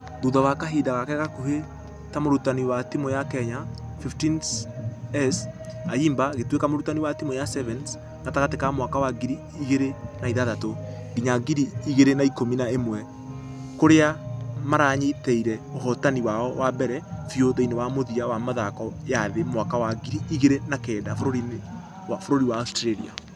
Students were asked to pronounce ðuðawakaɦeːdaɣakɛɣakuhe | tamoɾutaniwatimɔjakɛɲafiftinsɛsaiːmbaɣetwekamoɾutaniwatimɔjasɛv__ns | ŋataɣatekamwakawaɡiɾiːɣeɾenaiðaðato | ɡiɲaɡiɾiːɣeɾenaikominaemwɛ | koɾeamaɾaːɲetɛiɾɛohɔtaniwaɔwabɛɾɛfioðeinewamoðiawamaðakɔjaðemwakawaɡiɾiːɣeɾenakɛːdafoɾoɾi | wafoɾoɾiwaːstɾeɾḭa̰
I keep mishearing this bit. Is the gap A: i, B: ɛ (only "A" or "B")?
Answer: B